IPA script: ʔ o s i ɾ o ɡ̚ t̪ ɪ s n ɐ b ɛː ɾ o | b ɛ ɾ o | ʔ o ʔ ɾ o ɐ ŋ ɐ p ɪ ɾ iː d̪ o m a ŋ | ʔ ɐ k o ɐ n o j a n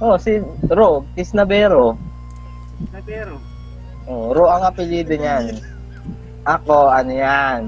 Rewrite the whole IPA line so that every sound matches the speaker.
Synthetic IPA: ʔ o s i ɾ o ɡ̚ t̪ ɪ s n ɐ b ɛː ɾ o | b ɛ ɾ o | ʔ o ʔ ɾ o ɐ ŋ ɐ p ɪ l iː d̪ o ɲ a n | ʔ ɐ k o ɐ n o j a n